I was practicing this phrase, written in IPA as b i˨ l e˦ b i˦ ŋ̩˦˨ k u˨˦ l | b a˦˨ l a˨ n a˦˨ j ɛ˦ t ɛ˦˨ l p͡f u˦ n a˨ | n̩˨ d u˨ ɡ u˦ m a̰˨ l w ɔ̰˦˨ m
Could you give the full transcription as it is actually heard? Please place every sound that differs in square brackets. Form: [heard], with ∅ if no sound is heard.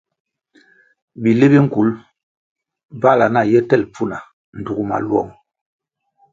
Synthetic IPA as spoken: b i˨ l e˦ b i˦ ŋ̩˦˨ k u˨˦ l | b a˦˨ l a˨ n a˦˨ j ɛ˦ t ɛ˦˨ l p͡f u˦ n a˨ | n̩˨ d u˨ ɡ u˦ m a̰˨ l w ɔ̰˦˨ [ŋ]